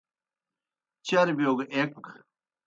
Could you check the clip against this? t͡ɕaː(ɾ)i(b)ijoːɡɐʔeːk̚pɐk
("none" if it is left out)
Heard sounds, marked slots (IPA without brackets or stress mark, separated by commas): ɾ, b